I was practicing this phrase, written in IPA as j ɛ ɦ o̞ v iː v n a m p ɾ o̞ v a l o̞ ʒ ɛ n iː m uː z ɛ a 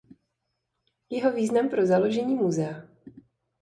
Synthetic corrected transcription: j ɛ ɦ o̞ v iː z n a m p ɾ o̞ z a l o̞ ʒ ɛ ɲ iː m u z ɛ a